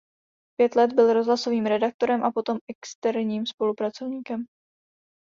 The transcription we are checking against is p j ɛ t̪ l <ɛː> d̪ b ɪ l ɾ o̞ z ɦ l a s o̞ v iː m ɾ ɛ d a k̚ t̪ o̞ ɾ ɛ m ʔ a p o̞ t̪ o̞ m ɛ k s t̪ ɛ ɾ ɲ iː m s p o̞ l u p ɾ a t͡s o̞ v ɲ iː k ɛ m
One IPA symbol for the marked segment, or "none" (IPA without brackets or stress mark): ɛ